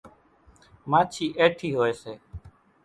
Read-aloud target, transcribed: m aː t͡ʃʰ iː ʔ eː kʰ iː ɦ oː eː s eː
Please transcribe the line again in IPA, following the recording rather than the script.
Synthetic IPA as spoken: m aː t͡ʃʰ iː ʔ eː ʈʰ iː ɦ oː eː s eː